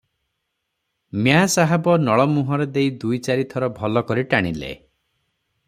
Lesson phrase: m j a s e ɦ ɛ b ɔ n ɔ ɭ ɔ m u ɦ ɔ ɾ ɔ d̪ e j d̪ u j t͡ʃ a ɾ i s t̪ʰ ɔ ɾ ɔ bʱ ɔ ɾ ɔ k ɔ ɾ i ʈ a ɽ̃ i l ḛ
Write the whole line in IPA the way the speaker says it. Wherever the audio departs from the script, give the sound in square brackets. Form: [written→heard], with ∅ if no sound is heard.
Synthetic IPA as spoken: m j a s [e→a] ɦ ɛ b ɔ n ɔ ɭ ɔ m u ɦ ɔ ɾ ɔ d̪ e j d̪ u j t͡ʃ a ɾ i [s→∅] t̪ʰ ɔ ɾ ɔ bʱ ɔ [ɾ→l] ɔ k ɔ ɾ i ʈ a ɽ̃ i l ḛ

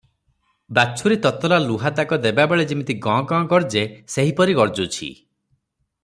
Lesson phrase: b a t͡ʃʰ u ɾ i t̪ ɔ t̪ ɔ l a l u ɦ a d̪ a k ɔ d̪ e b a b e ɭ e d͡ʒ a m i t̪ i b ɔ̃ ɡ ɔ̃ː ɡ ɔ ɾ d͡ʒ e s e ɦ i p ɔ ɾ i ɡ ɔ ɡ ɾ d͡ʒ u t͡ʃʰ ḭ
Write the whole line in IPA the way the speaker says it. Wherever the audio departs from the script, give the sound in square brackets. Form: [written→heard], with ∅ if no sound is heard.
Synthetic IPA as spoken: b a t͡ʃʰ u ɾ i t̪ ɔ t̪ ɔ l a l u ɦ a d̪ a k ɔ d̪ e b a b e ɭ e d͡ʒ [a→i] m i t̪ i [b→ɡ] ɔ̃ ɡ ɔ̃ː ɡ ɔ ɾ d͡ʒ e s e ɦ i p ɔ ɾ i ɡ ɔ [ɡ→∅] ɾ d͡ʒ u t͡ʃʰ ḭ

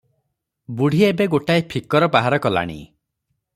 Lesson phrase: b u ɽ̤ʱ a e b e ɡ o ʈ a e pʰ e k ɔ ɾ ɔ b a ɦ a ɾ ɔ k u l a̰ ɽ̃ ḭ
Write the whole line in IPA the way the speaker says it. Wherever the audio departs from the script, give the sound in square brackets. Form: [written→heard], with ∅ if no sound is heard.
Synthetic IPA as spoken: b u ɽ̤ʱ [a→i] e b e ɡ o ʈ a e pʰ [e→i] k ɔ ɾ ɔ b a ɦ a ɾ ɔ k [u→ɔ] l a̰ ɽ̃ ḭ

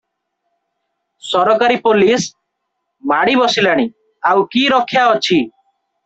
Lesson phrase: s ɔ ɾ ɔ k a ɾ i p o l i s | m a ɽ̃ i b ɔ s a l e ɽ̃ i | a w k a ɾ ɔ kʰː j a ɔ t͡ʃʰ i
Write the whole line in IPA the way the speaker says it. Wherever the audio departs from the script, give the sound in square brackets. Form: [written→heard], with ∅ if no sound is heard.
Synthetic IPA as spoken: s ɔ ɾ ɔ k a ɾ i p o l i s | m a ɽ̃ i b ɔ s [a→i] l [e→a] ɽ̃ i | a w k [a→i] ɾ ɔ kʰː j a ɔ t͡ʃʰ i

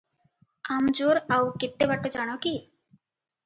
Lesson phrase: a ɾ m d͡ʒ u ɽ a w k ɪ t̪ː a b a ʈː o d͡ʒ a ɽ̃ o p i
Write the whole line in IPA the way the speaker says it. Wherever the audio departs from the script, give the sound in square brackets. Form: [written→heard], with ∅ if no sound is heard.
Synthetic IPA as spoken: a [ɾ→∅] m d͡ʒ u [ɽ→ɾ] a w k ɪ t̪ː [a→e] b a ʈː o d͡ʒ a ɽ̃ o [p→k] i

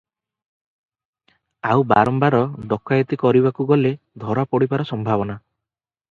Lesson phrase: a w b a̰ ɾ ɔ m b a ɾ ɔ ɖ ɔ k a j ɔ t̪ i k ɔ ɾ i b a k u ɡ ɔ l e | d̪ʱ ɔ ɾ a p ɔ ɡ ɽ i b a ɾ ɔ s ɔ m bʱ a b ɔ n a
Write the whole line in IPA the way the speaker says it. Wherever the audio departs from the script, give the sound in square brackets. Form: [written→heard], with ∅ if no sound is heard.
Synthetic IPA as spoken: a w b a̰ ɾ ɔ m b a ɾ ɔ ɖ ɔ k a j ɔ t̪ i k ɔ ɾ i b a k u ɡ ɔ l e | d̪ʱ ɔ ɾ a p ɔ [ɡ→∅] ɽ i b a ɾ ɔ s ɔ m bʱ a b ɔ n a

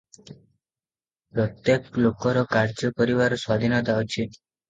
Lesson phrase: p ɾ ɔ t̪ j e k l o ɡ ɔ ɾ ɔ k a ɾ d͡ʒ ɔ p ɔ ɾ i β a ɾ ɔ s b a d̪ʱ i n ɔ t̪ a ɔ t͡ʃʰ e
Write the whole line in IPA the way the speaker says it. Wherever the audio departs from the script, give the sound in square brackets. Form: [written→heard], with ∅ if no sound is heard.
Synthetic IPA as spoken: p ɾ ɔ t̪ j e k l o [ɡ→k] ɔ ɾ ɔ k a ɾ d͡ʒ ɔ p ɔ ɾ i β a ɾ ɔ s [b→w] a d̪ʱ i n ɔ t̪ a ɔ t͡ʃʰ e

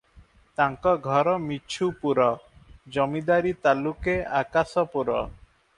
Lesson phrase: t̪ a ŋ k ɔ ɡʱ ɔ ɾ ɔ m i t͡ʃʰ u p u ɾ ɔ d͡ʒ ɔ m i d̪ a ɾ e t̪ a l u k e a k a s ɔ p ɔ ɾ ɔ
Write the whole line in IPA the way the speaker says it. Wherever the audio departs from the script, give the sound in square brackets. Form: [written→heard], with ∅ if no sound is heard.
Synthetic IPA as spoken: t̪ a ŋ k ɔ ɡʱ ɔ ɾ ɔ m i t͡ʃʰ u p u ɾ ɔ d͡ʒ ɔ m i d̪ a ɾ [e→i] t̪ a l u k e a k a s ɔ p [ɔ→u] ɾ ɔ

